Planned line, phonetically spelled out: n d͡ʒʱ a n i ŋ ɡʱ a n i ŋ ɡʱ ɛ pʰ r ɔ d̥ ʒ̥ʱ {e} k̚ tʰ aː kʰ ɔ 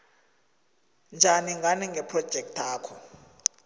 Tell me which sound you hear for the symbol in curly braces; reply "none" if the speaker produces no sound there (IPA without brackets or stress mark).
ɛ